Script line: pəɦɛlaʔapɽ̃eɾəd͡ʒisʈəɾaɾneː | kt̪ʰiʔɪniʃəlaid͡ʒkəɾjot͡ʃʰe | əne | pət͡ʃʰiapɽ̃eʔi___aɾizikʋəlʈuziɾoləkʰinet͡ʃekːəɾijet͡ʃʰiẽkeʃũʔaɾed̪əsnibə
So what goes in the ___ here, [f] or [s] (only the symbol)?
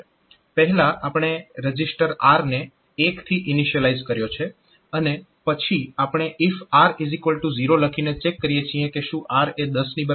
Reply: f